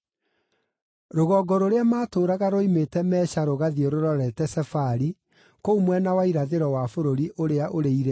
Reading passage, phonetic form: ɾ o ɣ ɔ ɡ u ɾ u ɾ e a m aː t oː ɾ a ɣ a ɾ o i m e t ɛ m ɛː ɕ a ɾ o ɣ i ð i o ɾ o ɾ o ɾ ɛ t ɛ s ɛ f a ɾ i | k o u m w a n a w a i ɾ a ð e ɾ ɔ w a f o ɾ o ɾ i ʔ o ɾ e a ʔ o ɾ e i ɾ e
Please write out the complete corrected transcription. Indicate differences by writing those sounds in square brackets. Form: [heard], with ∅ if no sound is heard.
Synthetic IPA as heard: ɾ o ɣ ɔ ɡ [ɔ] ɾ [o] ɾ e a m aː t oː ɾ a ɣ a ɾ o i m e t ɛ m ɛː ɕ a ɾ o ɣ [a] ð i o ɾ o ɾ [ɔ] ɾ ɛ t ɛ s ɛ f a ɾ i | k o u m w [ɛ] n a w a i ɾ a ð e ɾ ɔ w a f o ɾ o ɾ i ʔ o ɾ e a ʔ o ɾ e i ɾ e